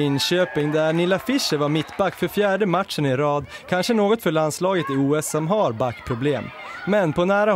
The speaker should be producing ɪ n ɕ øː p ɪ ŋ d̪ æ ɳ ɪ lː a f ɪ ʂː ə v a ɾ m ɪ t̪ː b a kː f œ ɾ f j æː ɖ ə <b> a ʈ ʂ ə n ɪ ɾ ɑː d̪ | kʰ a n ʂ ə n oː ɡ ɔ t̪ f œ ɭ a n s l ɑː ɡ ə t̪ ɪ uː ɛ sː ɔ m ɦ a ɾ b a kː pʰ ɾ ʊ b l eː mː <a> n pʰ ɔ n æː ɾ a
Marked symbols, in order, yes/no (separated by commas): no, no